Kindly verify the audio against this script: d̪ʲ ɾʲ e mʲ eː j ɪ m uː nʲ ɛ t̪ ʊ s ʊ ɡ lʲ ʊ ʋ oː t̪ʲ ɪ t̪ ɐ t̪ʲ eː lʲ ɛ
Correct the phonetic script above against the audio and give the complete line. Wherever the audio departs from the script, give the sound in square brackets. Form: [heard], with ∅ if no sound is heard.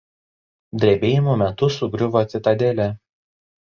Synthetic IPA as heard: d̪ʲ ɾʲ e [bʲ] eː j ɪ m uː [mʲ] ɛ t̪ ʊ s ʊ ɡ [ɾʲ] ʊ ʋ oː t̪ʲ ɪ t̪ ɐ [d̪ʲ] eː lʲ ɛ